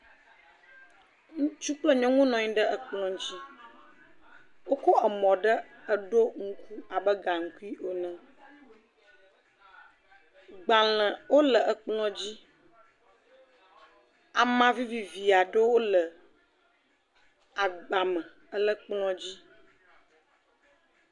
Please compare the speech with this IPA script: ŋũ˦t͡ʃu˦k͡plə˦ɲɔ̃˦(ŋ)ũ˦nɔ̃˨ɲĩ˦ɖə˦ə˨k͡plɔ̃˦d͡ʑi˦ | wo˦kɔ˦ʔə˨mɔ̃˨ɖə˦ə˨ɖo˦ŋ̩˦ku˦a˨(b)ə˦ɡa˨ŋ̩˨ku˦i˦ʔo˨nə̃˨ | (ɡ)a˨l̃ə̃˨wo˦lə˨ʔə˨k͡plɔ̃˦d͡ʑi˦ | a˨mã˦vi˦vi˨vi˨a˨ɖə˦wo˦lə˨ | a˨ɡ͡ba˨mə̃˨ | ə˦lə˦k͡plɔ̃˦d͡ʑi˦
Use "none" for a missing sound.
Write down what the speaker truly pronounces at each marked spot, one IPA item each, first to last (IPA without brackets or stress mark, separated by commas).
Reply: ŋ, b, ɡ͡b